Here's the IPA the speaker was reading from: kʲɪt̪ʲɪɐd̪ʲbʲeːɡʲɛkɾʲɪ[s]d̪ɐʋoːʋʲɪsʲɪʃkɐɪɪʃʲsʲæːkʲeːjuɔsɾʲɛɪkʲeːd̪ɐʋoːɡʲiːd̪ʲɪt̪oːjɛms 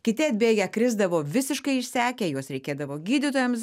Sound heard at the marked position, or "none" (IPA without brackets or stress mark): z